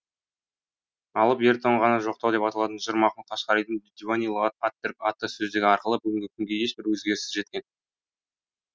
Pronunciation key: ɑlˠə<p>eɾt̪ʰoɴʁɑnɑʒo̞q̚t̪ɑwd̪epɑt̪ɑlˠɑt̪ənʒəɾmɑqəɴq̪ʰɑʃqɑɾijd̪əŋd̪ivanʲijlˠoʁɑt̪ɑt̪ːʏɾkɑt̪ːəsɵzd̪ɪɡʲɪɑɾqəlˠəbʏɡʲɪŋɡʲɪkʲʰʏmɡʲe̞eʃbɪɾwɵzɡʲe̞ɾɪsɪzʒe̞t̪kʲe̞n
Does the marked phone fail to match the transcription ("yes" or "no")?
no